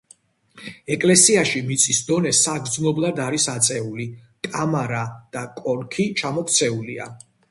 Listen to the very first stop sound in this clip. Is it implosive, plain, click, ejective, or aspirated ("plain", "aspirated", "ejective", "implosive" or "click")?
ejective